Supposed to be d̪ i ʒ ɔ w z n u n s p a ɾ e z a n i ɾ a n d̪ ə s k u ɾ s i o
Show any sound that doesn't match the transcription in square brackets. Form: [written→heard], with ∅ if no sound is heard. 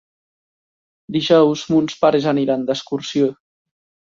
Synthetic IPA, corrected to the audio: d̪ i ʒ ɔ w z [n→m] u n s p a ɾ e z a n i ɾ a n d̪ ə s k u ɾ s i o